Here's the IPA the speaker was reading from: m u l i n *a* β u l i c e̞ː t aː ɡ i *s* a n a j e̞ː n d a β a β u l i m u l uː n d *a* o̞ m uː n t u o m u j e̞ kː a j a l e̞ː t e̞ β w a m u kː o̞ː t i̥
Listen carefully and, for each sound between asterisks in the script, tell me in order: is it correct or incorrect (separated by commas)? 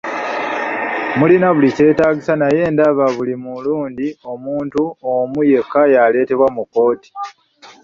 correct, correct, incorrect